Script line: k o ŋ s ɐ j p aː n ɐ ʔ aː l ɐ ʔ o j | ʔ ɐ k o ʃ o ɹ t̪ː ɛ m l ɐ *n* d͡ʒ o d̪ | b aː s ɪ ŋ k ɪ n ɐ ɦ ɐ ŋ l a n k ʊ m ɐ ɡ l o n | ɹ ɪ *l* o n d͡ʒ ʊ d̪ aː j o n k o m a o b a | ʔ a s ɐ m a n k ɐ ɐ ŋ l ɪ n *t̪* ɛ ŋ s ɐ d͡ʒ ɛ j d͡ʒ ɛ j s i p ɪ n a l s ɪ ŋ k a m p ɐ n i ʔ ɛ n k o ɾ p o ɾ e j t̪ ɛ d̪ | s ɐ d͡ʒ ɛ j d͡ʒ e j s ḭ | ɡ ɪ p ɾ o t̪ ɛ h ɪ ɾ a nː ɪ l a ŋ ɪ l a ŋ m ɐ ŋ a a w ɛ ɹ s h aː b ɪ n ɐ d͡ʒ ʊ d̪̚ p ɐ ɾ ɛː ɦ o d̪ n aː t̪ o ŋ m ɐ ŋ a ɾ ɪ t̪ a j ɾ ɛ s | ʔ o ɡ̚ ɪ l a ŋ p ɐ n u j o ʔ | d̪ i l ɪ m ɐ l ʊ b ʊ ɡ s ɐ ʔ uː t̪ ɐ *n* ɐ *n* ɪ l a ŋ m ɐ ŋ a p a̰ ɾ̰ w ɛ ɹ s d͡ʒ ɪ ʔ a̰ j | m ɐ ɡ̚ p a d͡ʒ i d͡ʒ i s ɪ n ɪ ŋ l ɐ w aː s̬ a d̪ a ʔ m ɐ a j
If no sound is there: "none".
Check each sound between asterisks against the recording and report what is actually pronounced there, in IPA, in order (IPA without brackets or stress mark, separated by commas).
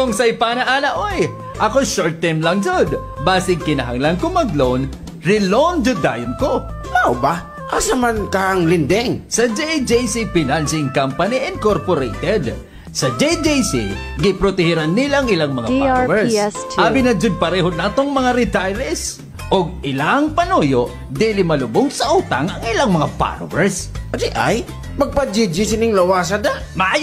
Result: ŋ, l, d̪, ŋ, ŋ